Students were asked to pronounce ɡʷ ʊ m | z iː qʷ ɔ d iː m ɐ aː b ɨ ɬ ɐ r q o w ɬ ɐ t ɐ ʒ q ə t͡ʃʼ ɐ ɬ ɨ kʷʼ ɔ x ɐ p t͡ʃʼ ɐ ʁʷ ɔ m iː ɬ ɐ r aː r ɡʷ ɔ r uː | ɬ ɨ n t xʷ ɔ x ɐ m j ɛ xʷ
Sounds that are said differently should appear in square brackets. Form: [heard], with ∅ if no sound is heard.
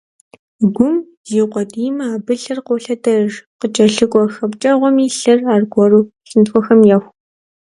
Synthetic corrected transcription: ɡʷ ʊ m | z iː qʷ ɔ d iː m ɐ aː b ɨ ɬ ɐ r q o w ɬ ɐ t ɐ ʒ q ə t͡ʃʼ ɐ ɬ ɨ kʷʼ ɔ x ɐ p t͡ʃʼ ɐ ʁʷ ɔ m iː ɬ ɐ r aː r ɡʷ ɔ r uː | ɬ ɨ n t xʷ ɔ x ɐ m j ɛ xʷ